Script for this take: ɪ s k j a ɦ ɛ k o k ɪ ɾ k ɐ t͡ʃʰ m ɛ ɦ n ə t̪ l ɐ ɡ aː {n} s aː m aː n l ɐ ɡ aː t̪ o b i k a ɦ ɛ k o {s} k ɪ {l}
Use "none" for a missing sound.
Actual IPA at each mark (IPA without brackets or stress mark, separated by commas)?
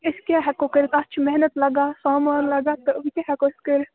none, s, ɾ